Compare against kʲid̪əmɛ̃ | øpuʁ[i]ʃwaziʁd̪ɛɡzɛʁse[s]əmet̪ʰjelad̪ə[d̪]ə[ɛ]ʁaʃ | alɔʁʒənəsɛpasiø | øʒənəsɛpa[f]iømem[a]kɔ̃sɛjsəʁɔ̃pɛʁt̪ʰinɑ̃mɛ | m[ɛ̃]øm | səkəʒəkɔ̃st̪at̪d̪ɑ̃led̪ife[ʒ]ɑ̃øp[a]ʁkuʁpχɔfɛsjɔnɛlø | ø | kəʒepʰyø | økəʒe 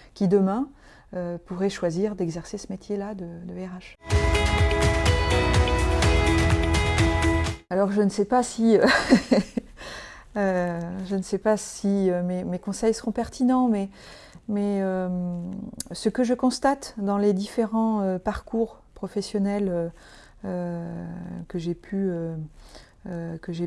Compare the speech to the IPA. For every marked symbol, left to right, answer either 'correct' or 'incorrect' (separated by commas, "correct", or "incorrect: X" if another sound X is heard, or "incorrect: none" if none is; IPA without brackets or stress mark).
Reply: incorrect: ɛ, correct, correct, correct, incorrect: s, incorrect: e, incorrect: ɛ, incorrect: ʁ, correct